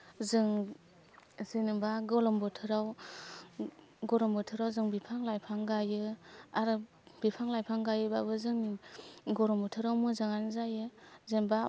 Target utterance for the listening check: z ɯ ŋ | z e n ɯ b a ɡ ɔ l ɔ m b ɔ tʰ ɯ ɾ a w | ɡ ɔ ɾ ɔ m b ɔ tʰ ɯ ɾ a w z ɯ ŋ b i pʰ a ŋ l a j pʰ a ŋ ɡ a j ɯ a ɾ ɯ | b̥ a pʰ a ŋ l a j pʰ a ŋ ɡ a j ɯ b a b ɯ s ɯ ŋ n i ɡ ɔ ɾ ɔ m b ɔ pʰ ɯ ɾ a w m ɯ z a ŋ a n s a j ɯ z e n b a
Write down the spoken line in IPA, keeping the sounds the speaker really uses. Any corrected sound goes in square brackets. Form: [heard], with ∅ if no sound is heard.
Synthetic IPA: z ɯ ŋ | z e n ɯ b a ɡ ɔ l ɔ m b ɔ tʰ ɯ ɾ a w | ɡ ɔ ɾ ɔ m b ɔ tʰ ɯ ɾ a w z ɯ ŋ b i pʰ a ŋ l a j pʰ a ŋ ɡ a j ɯ a ɾ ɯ | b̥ [i] pʰ a ŋ l a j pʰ a ŋ ɡ a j ɯ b a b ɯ [z] ɯ ŋ n i ɡ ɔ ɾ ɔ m b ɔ [tʰ] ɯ ɾ a w m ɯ z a ŋ a n [z] a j ɯ z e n b a